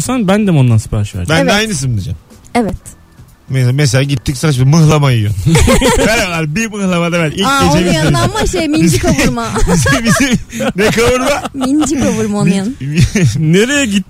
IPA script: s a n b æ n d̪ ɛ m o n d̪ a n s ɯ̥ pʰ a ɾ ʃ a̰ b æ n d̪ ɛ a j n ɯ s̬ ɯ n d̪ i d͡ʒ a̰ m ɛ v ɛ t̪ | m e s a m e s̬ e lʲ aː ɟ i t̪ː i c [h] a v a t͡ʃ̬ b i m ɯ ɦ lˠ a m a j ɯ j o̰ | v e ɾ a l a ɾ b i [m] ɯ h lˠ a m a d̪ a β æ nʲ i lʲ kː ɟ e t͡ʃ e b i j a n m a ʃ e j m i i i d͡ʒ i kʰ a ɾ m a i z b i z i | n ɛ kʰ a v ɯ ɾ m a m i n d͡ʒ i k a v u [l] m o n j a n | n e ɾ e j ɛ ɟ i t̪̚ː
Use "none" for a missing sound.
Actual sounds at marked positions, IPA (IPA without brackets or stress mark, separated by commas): s, m, ɾ